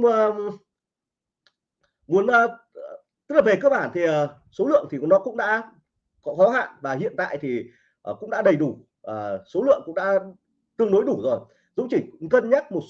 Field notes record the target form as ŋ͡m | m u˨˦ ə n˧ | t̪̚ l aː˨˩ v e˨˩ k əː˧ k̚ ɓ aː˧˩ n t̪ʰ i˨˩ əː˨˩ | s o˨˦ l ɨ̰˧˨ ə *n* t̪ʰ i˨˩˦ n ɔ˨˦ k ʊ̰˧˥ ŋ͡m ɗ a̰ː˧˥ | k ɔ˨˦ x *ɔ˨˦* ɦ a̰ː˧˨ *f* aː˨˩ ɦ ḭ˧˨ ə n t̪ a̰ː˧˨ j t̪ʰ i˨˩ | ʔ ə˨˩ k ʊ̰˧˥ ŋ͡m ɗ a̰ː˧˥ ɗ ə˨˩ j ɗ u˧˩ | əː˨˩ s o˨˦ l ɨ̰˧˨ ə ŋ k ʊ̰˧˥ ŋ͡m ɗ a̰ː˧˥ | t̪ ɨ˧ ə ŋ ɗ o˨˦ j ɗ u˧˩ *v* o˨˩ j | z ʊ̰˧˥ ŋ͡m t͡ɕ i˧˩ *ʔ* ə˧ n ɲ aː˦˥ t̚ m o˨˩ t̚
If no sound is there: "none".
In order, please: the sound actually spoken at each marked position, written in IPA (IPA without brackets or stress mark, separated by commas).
ŋ, ɔ˨˦, v, z, k